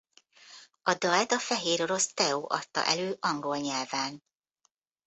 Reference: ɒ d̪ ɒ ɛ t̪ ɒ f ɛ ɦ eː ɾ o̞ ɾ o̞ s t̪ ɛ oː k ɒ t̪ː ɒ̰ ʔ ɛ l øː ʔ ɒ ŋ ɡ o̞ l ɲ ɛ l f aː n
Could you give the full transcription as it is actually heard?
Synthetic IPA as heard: ɒ d̪ ɒ ɛ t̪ ɒ f ɛ ɦ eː ɾ o̞ ɾ o̞ s t̪ ɛ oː ʔ ɒ t̪ː ɒ̰ ʔ ɛ l øː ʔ ɒ ŋ ɡ o̞ l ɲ ɛ l v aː n